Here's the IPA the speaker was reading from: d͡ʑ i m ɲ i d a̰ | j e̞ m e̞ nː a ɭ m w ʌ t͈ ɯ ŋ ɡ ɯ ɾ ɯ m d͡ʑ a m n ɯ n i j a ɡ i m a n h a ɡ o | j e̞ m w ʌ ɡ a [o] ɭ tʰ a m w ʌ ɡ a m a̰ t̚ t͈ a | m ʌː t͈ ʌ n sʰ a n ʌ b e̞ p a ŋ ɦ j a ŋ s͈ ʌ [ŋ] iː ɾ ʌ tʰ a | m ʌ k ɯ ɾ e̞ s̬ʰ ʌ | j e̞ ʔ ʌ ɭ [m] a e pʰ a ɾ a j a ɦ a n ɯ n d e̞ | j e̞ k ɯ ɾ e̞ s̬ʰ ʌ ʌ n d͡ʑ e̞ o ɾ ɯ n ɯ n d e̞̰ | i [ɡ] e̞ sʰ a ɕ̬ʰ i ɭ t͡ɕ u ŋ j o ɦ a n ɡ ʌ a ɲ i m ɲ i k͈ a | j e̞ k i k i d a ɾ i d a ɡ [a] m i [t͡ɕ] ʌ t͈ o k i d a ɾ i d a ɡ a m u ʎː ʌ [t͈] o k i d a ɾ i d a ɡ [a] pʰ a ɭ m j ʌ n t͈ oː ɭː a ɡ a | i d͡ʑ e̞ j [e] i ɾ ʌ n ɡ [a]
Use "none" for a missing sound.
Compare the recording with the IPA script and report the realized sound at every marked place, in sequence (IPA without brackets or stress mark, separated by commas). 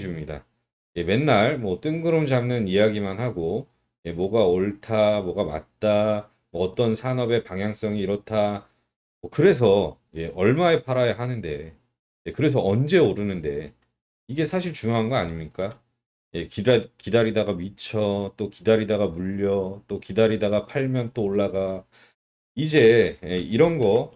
o, ŋ, m, ɡ, a, t͡ɕʰ, t͈, a, e, ʌ